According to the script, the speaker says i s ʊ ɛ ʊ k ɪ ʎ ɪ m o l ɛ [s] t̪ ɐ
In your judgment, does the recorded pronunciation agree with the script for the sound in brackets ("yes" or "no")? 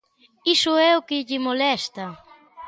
yes